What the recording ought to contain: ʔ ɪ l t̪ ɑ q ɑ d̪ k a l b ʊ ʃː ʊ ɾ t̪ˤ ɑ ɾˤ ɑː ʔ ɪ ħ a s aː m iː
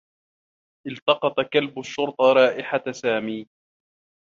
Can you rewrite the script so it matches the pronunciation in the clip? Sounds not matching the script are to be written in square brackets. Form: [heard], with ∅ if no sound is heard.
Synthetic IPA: ʔ ɪ l t̪ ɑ q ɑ [t̪] k a l b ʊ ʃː ʊ ɾ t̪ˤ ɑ ɾˤ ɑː ʔ ɪ ħ a s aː m iː